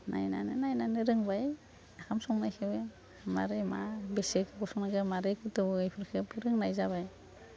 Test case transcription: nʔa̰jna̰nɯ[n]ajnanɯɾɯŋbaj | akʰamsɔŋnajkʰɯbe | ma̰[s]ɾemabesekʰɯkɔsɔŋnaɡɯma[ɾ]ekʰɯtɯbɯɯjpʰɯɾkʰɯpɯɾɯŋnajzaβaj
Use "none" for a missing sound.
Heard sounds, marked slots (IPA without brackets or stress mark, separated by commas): n, none, ɾ